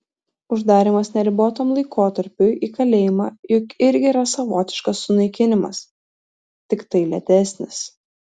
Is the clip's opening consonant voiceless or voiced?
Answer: voiced